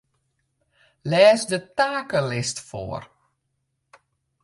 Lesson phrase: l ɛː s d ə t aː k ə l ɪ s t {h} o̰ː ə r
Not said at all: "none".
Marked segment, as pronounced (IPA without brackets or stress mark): f